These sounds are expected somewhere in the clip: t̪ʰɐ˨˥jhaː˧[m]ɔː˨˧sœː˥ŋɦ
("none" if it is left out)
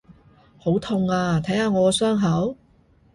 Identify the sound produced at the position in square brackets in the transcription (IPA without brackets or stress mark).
ŋ